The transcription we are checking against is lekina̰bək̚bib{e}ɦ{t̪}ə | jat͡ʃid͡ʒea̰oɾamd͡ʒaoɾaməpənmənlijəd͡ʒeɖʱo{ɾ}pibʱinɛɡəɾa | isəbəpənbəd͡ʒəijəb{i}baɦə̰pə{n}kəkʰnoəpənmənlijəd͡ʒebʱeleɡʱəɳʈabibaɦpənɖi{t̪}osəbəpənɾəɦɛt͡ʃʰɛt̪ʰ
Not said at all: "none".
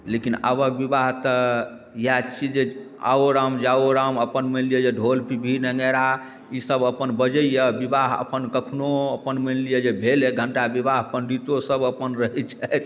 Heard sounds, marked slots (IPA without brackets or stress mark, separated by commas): a, t̪, l, i, n, t̪